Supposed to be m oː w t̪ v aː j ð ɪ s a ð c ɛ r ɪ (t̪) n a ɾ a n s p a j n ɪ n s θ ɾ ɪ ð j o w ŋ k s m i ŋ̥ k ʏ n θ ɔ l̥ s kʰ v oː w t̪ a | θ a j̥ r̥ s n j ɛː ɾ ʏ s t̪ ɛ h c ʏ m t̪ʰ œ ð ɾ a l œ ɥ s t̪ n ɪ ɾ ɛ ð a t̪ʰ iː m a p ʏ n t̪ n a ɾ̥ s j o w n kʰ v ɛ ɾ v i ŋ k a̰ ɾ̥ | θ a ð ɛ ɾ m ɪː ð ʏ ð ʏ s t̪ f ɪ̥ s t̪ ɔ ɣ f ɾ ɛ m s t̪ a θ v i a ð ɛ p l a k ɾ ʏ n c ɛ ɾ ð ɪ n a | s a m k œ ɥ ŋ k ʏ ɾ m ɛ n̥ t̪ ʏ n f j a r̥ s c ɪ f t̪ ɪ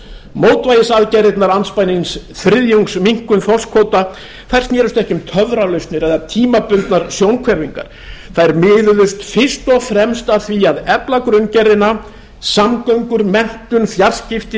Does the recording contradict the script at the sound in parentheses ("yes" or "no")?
no